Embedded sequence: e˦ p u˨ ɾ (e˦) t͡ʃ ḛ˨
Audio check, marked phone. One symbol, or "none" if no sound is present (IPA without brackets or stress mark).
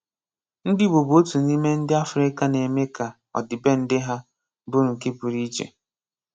i˦